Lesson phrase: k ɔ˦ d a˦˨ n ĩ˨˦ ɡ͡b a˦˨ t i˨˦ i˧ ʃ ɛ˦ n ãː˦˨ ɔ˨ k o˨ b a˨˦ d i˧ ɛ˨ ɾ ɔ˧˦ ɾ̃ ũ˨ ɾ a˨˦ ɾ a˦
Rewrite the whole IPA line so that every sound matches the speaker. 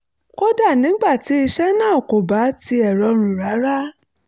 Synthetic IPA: k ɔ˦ d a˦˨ n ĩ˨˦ ɡ͡b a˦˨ t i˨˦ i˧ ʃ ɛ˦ n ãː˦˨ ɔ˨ k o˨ b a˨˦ t i˧ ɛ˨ ɾ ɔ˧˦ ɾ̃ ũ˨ ɾ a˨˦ ɾ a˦

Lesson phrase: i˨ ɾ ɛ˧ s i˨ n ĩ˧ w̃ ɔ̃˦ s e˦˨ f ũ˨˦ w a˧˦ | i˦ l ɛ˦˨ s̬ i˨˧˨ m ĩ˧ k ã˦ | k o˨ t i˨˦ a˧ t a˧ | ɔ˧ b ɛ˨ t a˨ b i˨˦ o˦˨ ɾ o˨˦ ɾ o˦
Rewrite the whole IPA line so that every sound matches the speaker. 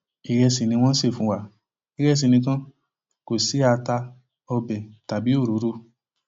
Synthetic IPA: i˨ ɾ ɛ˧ s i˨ n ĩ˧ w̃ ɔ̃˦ s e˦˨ f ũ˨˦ w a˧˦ | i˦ ɾ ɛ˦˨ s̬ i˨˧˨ n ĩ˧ k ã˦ | k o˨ s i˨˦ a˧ t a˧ | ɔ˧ b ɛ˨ t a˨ b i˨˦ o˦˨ ɾ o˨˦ ɾ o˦

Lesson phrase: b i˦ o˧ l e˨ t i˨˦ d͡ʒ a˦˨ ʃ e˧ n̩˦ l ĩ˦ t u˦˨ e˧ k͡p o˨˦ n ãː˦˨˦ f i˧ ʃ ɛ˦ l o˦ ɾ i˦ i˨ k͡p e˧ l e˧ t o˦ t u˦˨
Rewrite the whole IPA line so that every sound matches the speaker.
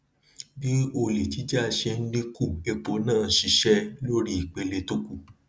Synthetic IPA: b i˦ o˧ l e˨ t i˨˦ d͡ʒ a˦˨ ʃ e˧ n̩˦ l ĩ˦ k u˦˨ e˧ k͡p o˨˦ n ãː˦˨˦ ʃ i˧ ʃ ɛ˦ l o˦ ɾ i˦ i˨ k͡p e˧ l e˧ t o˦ k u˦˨

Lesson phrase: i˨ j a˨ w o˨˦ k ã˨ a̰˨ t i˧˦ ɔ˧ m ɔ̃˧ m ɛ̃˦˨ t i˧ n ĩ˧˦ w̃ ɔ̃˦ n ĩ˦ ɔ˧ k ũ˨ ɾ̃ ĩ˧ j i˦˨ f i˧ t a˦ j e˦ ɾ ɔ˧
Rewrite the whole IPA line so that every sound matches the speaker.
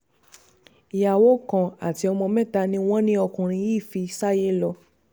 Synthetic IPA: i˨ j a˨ w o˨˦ k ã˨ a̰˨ t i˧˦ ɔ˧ m ɔ̃˧ m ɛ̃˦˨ t a˧ n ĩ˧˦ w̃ ɔ̃˦ n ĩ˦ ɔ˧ k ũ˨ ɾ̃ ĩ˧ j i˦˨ f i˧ s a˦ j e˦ l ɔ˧

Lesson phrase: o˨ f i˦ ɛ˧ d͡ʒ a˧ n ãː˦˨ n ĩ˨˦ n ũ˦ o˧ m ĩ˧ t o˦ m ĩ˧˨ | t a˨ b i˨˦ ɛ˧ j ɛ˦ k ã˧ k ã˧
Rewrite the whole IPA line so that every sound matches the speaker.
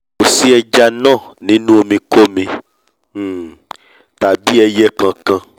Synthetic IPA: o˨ s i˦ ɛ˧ d͡ʒ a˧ n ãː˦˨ n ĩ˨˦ n ũ˦ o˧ m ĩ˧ k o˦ m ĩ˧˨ | t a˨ b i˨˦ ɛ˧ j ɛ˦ k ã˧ k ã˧

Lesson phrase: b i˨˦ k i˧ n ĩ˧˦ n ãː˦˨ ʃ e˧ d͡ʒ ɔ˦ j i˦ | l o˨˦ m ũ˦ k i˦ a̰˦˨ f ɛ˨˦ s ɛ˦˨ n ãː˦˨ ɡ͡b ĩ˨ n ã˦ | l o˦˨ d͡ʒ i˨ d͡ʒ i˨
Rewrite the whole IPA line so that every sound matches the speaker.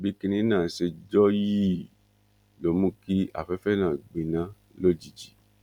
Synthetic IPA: b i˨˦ k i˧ n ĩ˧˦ n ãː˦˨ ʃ e˧ d͡ʒ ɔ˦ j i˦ | l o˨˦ m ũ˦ k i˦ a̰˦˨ f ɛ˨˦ f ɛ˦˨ n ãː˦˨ ɡ͡b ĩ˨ n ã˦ | l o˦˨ d͡ʒ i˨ d͡ʒ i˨

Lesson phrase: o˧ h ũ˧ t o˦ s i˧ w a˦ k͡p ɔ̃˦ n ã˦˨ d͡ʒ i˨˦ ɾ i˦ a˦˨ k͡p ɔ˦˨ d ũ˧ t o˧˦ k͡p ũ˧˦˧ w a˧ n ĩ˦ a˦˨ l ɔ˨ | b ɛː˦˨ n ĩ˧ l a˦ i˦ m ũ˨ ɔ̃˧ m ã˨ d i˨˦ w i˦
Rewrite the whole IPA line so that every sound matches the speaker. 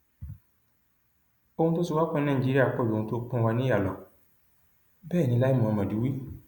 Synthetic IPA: o˧ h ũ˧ t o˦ s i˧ w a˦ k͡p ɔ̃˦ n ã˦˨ d͡ʒ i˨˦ ɾ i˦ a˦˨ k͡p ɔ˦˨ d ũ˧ t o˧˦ k͡p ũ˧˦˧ w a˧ n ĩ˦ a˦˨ l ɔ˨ | b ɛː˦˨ n ĩ˧ l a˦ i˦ m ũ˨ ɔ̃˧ m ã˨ d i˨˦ w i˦

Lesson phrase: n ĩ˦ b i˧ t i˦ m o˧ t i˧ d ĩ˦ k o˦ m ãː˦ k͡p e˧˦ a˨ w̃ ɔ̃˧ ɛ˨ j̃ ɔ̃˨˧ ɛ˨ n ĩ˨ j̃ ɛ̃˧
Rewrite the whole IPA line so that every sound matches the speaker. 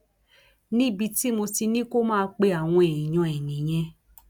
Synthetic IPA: n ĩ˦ b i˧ t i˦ m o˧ t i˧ n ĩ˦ k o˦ m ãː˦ k͡p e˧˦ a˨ w̃ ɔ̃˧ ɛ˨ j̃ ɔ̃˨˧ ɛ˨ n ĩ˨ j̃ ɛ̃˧

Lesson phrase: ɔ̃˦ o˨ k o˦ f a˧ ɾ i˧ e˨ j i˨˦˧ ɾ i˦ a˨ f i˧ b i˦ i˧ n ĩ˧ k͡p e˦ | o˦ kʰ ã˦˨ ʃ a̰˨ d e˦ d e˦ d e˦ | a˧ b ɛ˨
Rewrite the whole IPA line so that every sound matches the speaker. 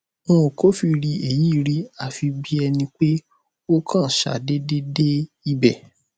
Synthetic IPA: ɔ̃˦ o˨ k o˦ f i˧ ɾ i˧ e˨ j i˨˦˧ ɾ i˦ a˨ f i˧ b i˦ ɛ˧ n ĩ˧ k͡p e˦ | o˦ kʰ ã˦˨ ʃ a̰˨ d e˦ d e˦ d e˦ | i˧ b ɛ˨

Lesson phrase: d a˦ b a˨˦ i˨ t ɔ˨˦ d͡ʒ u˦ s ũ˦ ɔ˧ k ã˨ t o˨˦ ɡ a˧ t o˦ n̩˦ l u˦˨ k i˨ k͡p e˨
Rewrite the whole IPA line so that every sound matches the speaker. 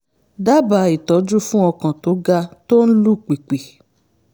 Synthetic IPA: d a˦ b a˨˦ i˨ t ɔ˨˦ d͡ʒ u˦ f ũ˦ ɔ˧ k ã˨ t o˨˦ ɡ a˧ t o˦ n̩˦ l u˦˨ k͡p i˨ k͡p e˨

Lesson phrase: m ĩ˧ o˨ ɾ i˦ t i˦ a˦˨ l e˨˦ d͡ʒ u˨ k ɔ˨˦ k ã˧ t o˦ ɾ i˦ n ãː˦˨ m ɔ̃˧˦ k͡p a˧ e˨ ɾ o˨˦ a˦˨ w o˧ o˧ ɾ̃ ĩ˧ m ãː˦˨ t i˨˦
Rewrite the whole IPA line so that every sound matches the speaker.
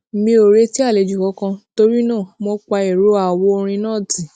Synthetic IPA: m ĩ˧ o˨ ɾ e˦ t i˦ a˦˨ l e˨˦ d͡ʒ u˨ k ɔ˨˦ k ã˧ t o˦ ɾ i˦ n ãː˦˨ m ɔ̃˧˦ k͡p a˧ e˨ ɾ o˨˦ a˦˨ w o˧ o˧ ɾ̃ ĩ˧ n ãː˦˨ t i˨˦

